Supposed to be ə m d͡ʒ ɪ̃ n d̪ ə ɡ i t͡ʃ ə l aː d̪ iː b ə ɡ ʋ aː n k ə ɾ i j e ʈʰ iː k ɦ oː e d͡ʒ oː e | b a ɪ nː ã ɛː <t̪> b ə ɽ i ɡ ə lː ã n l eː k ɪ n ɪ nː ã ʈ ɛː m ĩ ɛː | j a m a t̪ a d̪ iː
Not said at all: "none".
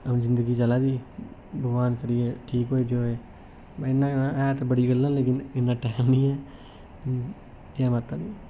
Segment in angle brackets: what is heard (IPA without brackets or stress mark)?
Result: t̪